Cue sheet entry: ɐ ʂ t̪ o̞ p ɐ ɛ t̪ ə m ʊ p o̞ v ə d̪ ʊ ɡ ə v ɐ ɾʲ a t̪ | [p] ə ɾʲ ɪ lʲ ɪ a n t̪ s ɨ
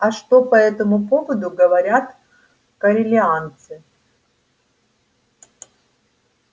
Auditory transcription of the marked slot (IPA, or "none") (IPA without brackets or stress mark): k